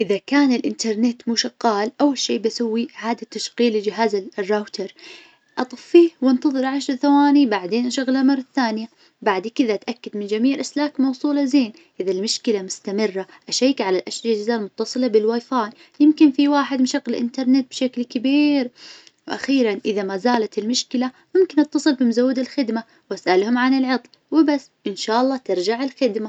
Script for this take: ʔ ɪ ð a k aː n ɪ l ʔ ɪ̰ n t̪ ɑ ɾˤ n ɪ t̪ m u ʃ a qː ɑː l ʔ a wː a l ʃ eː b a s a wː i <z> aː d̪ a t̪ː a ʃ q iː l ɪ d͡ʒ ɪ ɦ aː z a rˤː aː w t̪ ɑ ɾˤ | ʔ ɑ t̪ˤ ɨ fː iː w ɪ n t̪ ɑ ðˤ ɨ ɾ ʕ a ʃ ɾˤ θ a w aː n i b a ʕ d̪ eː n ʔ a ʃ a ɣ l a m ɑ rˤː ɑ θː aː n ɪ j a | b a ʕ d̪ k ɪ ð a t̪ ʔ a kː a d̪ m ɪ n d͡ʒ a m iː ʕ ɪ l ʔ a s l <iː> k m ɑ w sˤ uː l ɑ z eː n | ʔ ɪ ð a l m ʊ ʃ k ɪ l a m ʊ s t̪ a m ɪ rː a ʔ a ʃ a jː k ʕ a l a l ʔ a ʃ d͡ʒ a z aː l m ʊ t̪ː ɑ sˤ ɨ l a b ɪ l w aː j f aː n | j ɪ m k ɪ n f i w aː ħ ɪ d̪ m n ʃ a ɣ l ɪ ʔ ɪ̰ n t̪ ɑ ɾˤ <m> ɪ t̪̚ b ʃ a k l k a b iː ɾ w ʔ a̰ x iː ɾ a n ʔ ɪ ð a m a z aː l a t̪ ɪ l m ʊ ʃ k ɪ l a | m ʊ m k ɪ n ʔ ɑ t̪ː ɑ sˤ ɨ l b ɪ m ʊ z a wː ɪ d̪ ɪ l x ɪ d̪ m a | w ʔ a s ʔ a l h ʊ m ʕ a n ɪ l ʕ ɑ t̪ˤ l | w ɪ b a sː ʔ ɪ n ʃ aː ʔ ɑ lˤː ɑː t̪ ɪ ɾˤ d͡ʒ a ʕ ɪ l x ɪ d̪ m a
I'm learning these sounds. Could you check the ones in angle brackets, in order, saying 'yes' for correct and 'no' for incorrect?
no, no, no

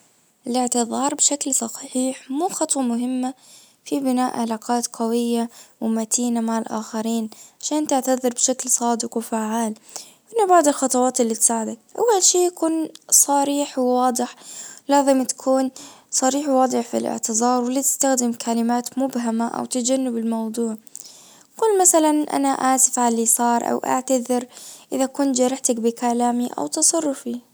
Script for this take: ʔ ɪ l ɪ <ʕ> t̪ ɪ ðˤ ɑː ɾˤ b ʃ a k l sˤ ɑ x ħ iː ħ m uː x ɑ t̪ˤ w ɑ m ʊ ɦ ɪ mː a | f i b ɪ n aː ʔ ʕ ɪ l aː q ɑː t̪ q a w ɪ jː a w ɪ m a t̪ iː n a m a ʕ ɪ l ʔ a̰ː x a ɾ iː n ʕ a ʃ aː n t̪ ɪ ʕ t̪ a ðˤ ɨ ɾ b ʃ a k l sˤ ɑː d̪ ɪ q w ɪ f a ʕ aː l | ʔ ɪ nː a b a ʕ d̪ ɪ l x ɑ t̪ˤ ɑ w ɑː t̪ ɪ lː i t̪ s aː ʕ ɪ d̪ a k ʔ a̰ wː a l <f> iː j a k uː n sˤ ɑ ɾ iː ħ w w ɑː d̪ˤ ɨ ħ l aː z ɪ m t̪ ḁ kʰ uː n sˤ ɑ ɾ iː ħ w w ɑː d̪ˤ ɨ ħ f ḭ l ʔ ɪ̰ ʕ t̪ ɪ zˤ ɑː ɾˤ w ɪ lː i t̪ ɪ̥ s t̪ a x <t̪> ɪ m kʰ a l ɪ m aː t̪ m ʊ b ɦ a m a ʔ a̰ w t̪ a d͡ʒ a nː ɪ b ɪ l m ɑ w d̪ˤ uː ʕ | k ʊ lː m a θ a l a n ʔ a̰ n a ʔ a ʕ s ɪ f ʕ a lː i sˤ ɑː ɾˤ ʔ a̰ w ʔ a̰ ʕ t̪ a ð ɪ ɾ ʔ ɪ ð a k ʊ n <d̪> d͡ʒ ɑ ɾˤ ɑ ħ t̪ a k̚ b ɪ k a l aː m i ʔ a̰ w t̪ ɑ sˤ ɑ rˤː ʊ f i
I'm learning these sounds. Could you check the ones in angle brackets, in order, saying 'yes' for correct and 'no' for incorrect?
yes, no, no, no

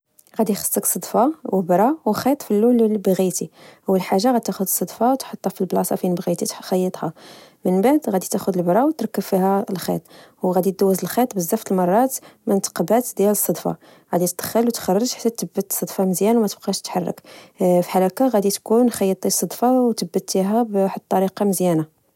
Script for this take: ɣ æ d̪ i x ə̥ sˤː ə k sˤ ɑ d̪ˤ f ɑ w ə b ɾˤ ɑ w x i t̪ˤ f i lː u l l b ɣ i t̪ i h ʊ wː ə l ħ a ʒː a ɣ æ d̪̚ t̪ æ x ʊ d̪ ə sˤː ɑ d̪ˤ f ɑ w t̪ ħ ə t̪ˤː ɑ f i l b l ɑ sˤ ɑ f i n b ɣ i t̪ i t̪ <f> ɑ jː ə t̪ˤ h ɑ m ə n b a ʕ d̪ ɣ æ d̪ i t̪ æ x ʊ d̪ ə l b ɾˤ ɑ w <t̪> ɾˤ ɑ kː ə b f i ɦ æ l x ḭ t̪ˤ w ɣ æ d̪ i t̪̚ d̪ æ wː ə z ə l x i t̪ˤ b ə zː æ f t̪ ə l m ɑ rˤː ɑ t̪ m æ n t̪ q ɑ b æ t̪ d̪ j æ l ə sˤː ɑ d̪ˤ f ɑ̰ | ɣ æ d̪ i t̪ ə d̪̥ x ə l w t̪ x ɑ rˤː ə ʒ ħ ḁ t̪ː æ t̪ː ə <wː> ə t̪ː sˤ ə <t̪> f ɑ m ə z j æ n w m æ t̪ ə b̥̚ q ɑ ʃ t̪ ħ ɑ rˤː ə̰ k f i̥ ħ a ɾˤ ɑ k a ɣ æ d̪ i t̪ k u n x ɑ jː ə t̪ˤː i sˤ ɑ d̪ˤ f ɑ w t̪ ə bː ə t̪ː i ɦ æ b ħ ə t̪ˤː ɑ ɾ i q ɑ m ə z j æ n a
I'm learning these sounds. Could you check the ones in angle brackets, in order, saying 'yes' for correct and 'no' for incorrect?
no, yes, no, no

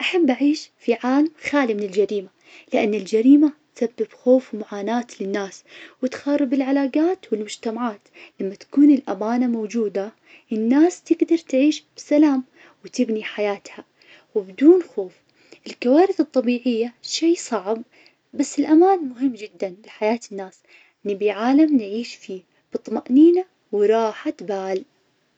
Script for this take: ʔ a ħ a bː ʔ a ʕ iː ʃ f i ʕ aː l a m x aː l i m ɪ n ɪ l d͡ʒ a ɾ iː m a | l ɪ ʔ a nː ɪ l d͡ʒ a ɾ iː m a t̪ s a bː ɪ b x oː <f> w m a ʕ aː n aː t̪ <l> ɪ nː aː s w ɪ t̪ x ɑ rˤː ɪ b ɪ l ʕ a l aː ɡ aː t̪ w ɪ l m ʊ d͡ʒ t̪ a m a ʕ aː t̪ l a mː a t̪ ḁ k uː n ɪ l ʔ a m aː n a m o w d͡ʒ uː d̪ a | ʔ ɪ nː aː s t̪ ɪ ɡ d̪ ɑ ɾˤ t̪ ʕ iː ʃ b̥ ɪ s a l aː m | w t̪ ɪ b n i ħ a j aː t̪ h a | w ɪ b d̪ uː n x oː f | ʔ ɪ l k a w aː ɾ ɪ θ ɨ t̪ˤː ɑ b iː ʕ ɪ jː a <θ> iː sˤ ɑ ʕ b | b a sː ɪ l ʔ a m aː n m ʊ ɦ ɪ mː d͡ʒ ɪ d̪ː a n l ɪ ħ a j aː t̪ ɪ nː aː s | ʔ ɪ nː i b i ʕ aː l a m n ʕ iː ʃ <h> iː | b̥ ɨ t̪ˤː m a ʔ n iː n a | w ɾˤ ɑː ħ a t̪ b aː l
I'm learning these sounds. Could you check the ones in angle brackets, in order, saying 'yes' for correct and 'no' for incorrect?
yes, yes, no, no

